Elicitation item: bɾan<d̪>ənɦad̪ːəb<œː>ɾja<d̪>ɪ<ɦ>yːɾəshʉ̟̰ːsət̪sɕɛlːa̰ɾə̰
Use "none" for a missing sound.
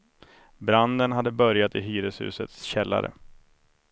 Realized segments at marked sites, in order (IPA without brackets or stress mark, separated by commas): d̪, œ, t̪, ɦ